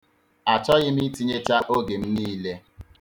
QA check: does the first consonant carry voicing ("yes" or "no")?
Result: no